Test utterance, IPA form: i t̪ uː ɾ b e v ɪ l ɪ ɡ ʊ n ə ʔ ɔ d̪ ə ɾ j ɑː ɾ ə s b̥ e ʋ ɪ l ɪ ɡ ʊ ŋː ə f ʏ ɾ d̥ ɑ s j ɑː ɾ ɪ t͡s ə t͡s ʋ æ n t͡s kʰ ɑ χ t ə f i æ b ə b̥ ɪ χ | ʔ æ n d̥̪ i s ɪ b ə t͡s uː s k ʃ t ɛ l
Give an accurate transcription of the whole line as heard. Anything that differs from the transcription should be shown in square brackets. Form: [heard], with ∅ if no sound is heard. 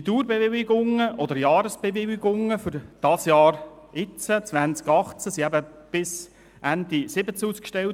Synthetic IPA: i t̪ uː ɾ b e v ɪ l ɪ ɡ ʊ [ŋ] ə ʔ ɔ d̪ ə ɾ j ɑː ɾ ə s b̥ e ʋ ɪ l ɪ ɡ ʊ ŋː ə f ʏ ɾ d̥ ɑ s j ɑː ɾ ɪ t͡s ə t͡s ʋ æ n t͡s [k] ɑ χ [t͡s] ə [s] i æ b ə b̥ ɪ [s] | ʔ æ n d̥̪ i s ɪ b ə t͡s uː s k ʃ t ɛ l

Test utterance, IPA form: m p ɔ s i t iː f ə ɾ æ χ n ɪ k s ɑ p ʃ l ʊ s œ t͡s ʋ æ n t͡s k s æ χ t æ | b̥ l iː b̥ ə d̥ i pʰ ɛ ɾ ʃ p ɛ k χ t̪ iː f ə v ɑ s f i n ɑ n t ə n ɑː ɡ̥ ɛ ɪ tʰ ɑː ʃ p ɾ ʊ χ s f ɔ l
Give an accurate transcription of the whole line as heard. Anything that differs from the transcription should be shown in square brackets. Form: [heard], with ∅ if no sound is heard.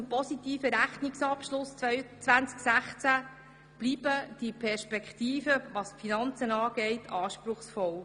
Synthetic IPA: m p ɔ s i t iː f ə ɾ æ χ n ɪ k s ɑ p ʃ l ʊ s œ t͡s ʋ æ n t͡s k s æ χ [t͡s] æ | b̥ l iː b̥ ə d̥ i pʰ ɛ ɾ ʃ p ɛ k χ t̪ iː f ə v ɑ s f i n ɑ n [t͡s] ə n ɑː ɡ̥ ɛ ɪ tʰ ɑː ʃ p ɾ ʊ χ s f ɔ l

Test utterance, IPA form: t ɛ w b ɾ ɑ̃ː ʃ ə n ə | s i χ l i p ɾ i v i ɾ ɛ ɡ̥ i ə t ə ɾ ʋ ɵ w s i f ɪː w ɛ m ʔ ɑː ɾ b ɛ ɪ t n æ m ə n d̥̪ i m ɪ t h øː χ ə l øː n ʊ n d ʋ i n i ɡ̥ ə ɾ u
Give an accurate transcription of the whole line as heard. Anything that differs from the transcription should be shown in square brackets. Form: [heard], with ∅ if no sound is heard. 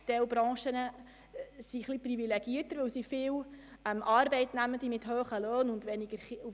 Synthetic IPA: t ɛ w b ɾ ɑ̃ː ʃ ə n ə | s i χ l i p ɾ i v i [l] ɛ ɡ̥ i ə t ə ɾ ʋ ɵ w s i f ɪː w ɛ m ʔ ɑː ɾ b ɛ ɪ t n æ m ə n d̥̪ i m ɪ t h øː χ ə l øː n ʊ n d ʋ [ɛ] n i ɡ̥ ə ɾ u

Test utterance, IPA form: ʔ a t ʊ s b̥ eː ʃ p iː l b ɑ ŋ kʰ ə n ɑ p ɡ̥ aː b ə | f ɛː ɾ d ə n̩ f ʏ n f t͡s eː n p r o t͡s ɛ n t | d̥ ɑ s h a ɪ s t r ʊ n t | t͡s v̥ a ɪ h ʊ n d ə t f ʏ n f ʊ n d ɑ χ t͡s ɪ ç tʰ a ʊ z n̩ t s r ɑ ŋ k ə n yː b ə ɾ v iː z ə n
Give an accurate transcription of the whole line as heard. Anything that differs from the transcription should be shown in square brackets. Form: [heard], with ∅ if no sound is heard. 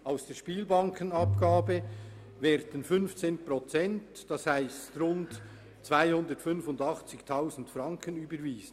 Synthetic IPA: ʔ a [∅] ʊ s [d̥] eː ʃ p iː l b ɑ ŋ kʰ ə n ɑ p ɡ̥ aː b ə | [v] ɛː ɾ d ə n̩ f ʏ n f t͡s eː n p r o t͡s ɛ n t | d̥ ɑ s h a ɪ s t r ʊ n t | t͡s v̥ a ɪ h ʊ n d ə t f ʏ n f ʊ n d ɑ χ t͡s ɪ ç tʰ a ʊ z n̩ t [f] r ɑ ŋ k ə n yː b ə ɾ v iː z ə n

